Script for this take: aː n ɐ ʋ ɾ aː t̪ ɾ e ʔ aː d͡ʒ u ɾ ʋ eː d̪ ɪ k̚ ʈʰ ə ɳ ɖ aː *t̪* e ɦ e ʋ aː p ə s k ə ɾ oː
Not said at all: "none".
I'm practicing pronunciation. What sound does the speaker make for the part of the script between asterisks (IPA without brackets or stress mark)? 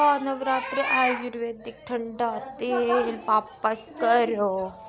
t̪